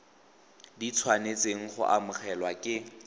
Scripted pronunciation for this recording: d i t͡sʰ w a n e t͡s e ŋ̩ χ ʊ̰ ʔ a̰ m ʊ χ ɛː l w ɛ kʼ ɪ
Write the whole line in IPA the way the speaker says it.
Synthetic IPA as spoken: d i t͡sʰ w a n e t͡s e ŋ̩ χ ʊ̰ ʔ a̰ m ʊ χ ɛ l w a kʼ ɪ